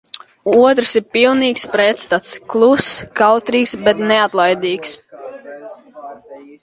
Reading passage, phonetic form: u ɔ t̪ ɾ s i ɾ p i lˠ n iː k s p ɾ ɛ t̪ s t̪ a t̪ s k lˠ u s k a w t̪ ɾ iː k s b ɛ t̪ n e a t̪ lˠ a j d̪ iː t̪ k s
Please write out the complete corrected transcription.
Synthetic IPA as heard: u ɔ t̪ ɾ s i ɾ p i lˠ n iː k s p ɾ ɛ t̪ s t̪ a t̪ s k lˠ u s k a w t̪ ɾ iː k s b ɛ t̪ n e a t̪ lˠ a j d̪ iː k s